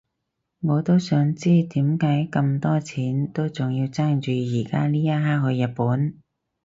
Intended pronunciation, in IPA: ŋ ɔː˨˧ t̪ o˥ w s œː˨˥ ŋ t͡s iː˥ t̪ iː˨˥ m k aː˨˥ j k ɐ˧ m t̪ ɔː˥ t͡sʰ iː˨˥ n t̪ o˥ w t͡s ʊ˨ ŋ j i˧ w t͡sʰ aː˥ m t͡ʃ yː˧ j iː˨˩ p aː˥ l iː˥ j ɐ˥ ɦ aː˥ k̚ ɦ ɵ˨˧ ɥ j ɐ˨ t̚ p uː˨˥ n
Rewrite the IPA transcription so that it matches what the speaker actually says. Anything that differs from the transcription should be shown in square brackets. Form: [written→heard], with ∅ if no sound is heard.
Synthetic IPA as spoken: ŋ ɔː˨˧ t̪ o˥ w s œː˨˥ ŋ t͡s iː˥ t̪ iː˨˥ m k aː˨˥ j k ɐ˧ m t̪ ɔː˥ t͡sʰ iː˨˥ n t̪ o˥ w t͡s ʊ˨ ŋ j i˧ w [t͡sʰ→t͡s] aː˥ [m→ŋ] t͡ʃ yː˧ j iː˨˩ [p→k] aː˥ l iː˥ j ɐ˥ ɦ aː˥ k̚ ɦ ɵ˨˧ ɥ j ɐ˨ t̚ p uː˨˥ n